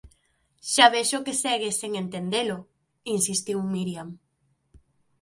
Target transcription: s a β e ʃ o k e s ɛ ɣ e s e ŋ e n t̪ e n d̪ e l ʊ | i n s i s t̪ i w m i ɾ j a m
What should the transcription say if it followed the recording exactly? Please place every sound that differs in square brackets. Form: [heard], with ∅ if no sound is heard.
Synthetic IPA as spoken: [ʃ] a β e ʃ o k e s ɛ ɣ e s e ŋ e n t̪ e n d̪ e l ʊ | i n s i s t̪ i w m i ɾ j a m